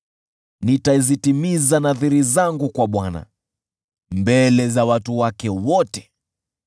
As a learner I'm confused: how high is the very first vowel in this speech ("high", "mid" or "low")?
high